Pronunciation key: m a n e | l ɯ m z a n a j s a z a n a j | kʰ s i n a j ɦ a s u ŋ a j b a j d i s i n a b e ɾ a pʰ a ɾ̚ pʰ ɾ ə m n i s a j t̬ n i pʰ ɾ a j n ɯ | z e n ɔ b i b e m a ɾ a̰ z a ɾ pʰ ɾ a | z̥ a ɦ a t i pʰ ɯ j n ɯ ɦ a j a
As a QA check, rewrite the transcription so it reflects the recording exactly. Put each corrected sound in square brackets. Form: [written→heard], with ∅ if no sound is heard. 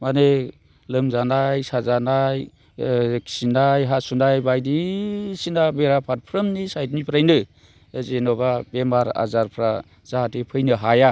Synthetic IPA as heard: m a n e | l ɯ m z a n a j s a z a n a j | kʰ s i n a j ɦ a s u [ŋ→n] a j b a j d i s i n a b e ɾ a pʰ a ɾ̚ pʰ ɾ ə m n i s a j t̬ n i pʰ ɾ a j n ɯ | z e n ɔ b [i→a] b e m a ɾ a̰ z a ɾ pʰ ɾ a | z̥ a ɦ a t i pʰ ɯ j n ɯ ɦ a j a